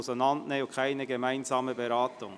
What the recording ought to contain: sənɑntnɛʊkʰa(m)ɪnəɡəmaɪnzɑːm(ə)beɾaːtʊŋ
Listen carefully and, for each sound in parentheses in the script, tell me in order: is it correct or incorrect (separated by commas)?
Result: incorrect, correct